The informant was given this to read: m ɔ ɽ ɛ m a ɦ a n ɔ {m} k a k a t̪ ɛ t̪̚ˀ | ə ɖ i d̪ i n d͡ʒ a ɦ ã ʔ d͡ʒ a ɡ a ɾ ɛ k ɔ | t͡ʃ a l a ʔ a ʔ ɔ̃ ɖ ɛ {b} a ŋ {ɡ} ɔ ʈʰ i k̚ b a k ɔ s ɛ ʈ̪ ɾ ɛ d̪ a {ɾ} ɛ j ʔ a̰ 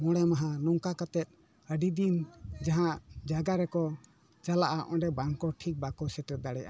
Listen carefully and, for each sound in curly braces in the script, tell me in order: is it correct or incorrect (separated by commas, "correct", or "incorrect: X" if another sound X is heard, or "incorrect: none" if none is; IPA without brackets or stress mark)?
incorrect: ŋ, correct, incorrect: k, incorrect: ɽ